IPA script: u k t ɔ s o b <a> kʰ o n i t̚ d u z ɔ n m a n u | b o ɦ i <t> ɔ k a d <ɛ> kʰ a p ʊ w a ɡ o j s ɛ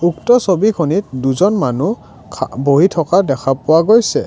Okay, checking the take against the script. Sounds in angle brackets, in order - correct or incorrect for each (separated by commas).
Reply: incorrect, incorrect, correct